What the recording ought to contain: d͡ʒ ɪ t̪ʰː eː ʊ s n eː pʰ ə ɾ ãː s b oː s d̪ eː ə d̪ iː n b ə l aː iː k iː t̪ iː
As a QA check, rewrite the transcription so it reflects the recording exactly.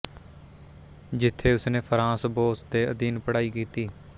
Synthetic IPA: d͡ʒ ɪ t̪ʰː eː ʊ s n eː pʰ ə ɾ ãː s b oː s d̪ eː ə d̪ iː n p ə ɽ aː iː k iː t̪ iː